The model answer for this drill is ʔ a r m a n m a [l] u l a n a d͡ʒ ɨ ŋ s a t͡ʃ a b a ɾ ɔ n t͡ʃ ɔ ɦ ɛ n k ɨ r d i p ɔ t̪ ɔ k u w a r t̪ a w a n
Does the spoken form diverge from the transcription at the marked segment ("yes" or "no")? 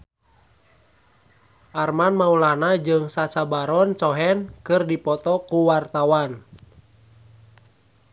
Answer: yes